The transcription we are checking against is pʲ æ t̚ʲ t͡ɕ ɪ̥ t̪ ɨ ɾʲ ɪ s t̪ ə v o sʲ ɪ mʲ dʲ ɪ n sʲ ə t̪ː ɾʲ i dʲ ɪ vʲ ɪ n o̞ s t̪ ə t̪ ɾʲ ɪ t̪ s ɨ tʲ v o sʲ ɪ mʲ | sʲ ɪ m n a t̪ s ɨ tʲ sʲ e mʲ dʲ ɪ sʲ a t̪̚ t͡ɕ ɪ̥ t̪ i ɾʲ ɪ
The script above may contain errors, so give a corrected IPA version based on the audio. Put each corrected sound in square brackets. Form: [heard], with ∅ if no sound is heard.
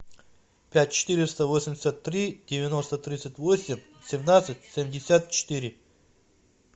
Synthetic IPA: pʲ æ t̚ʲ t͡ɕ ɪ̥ t̪ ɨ ɾʲ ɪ s t̪ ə v o sʲ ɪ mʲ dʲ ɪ [∅] sʲ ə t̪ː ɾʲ i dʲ ɪ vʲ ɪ n o̞ s t̪ ə t̪ ɾʲ [i] t̪ s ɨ tʲ v o sʲ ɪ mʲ | sʲ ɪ m n a t̪ s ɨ tʲ sʲ e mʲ dʲ ɪ sʲ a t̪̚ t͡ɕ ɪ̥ t̪ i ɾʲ ɪ